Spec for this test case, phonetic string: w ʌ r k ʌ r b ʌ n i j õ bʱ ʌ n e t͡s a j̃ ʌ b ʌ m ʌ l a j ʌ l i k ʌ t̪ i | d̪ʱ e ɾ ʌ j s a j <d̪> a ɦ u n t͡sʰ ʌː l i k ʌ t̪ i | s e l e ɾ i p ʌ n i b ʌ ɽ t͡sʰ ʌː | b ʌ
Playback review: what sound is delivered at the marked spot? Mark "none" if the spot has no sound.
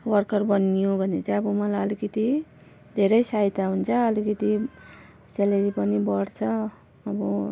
t̪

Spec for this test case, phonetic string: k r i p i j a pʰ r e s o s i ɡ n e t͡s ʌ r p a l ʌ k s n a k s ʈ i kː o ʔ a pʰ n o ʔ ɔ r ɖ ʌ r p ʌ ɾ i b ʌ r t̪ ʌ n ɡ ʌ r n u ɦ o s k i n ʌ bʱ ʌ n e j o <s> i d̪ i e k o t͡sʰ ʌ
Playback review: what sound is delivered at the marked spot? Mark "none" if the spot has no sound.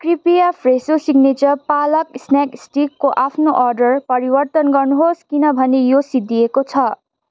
s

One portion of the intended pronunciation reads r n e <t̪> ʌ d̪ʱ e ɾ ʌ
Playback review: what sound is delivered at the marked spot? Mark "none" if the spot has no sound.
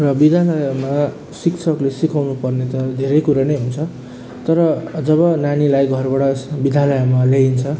t̪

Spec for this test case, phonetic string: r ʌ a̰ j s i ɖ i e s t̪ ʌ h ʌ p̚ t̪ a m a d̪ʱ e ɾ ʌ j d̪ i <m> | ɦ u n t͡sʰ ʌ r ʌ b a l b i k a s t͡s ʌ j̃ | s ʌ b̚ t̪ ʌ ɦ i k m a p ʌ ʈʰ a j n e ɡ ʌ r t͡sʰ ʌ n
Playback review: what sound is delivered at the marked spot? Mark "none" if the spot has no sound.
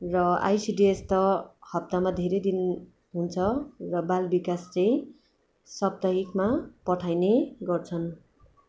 n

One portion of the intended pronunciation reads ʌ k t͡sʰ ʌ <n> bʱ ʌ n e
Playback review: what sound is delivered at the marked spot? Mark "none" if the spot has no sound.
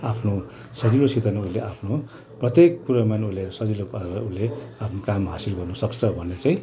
none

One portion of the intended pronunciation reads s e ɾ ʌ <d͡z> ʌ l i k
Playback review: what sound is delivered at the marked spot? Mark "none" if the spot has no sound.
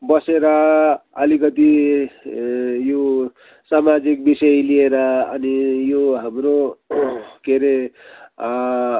none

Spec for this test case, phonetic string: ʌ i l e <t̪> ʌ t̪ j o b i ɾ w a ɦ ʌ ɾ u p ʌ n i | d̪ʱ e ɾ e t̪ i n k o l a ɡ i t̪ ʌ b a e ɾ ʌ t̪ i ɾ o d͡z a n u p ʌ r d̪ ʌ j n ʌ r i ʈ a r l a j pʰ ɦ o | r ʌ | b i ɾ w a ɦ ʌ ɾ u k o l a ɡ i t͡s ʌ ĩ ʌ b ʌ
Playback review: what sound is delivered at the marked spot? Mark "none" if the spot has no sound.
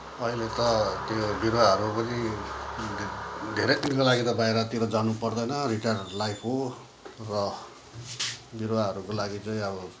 t̪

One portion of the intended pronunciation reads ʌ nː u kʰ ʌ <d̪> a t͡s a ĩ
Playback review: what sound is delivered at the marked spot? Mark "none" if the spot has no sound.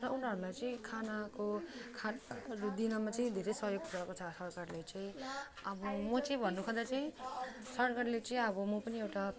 d̪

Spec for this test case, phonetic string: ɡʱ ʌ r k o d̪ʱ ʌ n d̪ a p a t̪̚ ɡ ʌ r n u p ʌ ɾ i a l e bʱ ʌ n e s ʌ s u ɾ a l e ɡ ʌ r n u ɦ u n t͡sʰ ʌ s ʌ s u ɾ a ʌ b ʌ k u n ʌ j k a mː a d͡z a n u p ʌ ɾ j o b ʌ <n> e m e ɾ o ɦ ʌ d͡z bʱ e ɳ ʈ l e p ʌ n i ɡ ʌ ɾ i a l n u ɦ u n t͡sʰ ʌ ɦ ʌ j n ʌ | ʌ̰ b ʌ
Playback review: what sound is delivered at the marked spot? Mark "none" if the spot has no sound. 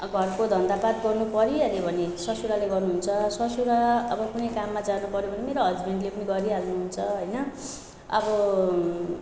n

